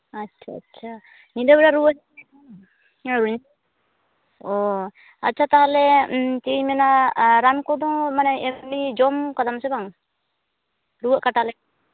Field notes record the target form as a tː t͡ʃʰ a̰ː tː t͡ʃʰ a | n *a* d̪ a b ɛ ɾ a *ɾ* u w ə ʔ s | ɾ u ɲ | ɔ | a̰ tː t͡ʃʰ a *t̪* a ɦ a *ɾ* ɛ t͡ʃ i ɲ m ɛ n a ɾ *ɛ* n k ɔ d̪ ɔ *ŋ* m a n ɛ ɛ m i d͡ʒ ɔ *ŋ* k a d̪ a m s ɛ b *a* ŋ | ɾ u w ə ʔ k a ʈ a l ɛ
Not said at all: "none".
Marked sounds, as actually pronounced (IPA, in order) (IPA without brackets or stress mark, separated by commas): i, ɾ, t̪, l, a, ŋ, m, a